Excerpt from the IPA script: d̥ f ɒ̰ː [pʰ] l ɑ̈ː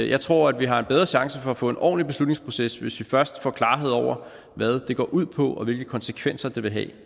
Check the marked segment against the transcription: incorrect: kʰ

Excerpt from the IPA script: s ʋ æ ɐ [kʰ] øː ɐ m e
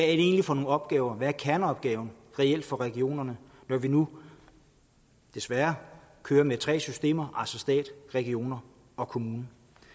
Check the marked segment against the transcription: correct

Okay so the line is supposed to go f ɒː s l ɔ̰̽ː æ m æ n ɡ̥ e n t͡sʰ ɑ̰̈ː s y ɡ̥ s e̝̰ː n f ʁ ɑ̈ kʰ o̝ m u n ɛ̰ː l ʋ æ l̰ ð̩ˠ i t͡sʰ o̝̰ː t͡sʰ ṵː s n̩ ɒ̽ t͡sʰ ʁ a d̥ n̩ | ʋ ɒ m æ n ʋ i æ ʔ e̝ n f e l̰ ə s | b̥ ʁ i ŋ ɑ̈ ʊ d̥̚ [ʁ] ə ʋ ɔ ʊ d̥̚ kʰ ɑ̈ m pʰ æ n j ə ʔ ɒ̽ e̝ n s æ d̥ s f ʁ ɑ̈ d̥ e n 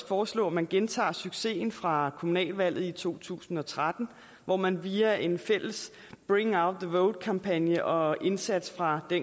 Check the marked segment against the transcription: incorrect: ð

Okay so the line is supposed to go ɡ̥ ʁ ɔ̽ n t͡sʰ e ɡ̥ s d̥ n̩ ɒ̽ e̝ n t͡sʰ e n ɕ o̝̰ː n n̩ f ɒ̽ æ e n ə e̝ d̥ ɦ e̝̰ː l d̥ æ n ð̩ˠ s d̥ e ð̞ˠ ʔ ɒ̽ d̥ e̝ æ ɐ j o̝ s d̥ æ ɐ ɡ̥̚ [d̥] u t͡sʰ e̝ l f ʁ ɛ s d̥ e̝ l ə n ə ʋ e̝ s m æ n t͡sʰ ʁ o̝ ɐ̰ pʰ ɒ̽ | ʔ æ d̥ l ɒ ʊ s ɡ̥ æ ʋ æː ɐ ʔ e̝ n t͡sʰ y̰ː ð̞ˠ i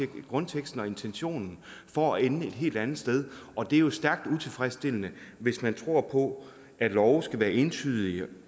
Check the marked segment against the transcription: correct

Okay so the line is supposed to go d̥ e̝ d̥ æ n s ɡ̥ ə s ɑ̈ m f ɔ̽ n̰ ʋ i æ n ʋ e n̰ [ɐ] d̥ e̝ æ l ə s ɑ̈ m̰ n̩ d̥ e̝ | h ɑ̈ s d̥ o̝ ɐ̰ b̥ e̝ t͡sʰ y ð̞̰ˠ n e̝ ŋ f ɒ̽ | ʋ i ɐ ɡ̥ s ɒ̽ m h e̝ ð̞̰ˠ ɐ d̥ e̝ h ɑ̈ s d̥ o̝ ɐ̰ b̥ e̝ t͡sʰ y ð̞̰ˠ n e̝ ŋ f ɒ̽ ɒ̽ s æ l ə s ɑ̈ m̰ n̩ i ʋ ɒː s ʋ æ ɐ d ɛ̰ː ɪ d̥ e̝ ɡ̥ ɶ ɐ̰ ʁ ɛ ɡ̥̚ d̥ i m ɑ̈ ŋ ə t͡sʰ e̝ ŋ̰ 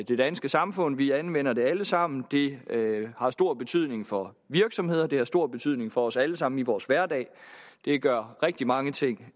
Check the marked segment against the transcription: correct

